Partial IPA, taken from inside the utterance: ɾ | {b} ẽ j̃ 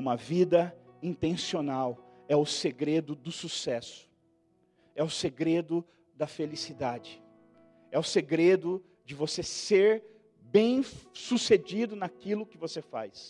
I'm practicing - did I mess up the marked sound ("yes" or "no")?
no